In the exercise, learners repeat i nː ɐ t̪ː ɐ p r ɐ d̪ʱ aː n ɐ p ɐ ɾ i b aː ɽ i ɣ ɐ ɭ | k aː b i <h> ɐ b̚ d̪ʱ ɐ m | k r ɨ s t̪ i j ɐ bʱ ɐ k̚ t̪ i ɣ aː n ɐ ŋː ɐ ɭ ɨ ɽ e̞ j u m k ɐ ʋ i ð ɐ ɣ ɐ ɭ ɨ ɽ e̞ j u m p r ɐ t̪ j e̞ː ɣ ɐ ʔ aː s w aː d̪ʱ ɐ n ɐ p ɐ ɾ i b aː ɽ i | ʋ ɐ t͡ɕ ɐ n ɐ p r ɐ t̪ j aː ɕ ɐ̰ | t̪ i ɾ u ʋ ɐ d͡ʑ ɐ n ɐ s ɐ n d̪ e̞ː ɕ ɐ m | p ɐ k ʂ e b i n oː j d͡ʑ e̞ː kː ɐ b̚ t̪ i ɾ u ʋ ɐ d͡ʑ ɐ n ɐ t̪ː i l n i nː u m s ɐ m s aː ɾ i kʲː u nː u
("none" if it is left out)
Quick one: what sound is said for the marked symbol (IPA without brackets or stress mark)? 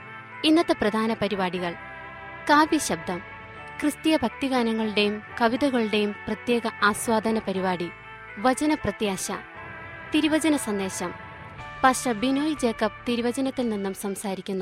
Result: ɕ